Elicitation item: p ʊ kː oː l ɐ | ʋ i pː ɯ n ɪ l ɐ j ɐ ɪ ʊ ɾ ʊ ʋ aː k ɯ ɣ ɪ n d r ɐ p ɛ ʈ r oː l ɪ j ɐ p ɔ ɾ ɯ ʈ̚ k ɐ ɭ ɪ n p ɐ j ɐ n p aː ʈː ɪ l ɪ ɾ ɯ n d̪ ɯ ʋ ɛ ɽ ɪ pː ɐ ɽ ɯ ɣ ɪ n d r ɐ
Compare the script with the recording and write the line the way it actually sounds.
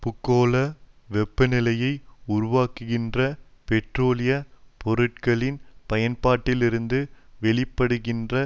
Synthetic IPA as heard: p ʊ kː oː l ɐ | ʋ ɛ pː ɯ n ɪ l ɐ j ɐ ɪ ʊ ɾ ʊ ʋ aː k ɯ ɣ ɪ n d r ɐ p ɛ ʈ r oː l ɪ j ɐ p ɔ ɾ ɯ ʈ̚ k ɐ ɭ ɪ n p ɐ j ɐ n p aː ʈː ɪ l ɪ ɾ ɯ n d̪ ɯ ʋ ɛ ɭ ɪ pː ɐ ɽ ɯ ɣ ɪ n d r ɐ